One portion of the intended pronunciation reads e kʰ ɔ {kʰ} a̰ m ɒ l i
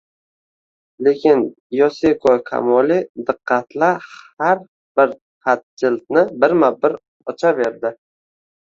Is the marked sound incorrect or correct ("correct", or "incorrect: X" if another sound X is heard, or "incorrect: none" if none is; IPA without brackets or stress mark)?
correct